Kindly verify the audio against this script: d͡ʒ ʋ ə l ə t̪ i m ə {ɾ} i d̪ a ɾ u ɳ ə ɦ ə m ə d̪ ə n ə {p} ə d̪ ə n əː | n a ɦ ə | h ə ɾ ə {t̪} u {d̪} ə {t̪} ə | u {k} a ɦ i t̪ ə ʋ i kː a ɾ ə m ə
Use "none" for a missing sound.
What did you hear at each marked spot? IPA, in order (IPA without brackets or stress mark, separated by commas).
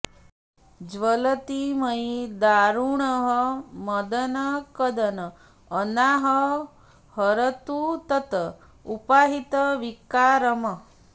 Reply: none, k, t̪, t̪, t̪, p